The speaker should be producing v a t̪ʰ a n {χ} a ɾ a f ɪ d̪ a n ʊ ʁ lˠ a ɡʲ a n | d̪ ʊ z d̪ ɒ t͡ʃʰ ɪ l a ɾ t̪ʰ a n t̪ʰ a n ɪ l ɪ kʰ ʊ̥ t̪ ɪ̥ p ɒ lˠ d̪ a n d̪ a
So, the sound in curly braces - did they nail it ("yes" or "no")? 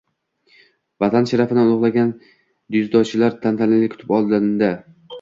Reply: no